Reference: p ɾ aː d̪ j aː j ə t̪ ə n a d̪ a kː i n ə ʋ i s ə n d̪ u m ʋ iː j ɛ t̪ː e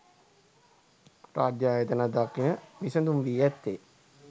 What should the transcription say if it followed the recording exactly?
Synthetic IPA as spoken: p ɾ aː d̪ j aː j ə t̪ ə n a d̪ a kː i n ə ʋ i s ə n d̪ u m ʋ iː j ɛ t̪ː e